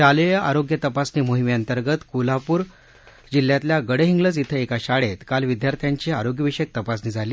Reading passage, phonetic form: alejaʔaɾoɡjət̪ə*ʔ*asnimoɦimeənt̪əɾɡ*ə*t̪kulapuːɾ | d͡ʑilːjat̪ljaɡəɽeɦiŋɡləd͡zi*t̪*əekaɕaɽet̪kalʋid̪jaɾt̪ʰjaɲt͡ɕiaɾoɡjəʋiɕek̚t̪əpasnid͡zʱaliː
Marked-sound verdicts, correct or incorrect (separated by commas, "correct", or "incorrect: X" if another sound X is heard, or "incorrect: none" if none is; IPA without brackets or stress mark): incorrect: p, correct, incorrect: t̪ʰ